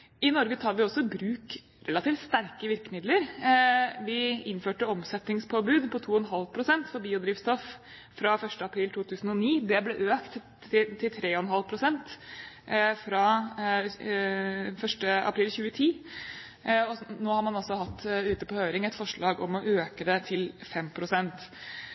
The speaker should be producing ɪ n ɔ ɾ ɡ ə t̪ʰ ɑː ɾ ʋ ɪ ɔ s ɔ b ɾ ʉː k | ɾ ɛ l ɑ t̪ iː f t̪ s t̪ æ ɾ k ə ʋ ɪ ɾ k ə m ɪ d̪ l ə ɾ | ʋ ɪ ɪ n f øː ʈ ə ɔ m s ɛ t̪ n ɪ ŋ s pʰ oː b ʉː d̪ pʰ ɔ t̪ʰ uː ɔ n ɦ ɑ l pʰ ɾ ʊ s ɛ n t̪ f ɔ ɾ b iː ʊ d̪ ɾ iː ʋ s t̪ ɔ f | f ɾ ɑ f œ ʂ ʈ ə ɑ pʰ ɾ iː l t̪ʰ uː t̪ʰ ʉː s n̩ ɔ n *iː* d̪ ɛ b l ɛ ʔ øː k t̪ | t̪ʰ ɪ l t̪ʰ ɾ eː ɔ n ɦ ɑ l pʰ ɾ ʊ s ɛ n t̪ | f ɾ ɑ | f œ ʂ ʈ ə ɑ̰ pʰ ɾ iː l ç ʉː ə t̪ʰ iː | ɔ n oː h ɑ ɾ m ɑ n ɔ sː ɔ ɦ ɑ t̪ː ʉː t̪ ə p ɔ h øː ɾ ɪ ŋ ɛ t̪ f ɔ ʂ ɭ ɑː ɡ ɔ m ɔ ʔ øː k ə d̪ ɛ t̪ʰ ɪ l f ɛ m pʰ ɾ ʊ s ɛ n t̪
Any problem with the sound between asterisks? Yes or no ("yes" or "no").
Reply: no